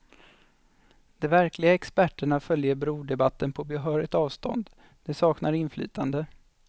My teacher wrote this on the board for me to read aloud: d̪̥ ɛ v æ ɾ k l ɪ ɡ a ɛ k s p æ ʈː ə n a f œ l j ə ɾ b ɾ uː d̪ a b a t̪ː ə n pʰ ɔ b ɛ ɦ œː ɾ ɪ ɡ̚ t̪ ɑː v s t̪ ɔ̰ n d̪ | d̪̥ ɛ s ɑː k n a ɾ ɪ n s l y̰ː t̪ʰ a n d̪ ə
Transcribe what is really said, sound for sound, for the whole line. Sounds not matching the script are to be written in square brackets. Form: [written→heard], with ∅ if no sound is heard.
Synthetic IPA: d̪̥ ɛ v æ ɾ k l ɪ ɡ a ɛ k s p æ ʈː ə [n→ɳ] a f œ l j ə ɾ b ɾ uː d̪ [a→ɛ] b a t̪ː ə n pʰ ɔ b ɛ ɦ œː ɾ ɪ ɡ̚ t̪ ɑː v s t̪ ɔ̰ n d̪ | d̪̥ ɛ s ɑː k n a ɾ ɪ n [s→f] l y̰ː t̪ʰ a n d̪ ə